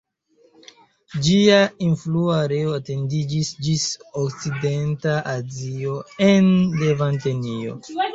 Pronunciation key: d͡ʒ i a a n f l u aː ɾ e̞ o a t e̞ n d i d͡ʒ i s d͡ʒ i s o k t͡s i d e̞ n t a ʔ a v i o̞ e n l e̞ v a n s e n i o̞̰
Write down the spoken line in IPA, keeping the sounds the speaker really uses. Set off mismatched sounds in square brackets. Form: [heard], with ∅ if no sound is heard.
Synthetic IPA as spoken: d͡ʒ i a [i] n f l u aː ɾ e̞ o a t e̞ n d i d͡ʒ i s d͡ʒ i s o k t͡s i d e̞ n t a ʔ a [z] i o̞ e n l e̞ v a n [t] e n i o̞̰

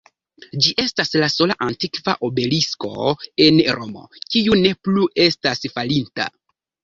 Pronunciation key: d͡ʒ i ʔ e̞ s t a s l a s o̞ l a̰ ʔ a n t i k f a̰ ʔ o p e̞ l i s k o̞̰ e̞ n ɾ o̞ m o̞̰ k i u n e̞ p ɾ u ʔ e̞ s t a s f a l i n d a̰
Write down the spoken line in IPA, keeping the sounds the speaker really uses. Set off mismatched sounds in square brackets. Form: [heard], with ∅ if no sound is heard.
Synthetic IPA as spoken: d͡ʒ i ʔ e̞ s t a s l a s o̞ l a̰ ʔ a n t i k [v] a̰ ʔ o [b] e̞ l i s k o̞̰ e̞ n ɾ o̞ m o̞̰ k i u n e̞ p [l] u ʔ e̞ s t a s f a l i n [t] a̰

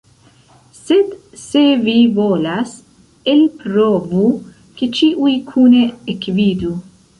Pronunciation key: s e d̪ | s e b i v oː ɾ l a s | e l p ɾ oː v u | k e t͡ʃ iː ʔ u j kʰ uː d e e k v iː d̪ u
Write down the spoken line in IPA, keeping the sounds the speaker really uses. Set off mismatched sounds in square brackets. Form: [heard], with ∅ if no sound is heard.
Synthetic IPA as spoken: s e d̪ | s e [v] i v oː [∅] l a s | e l p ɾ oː v u | k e t͡ʃ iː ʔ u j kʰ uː [n] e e k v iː d̪ u

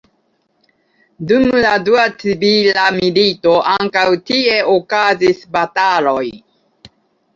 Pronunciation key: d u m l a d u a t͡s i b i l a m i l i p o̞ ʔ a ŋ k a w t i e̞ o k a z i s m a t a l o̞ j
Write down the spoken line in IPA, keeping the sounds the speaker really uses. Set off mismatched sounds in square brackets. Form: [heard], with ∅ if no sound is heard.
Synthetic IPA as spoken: d u m l a d u a t͡s i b i l a m i l i [t] o̞ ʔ a ŋ k a w t i e̞ o k a z i s [b] a t a l o̞ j

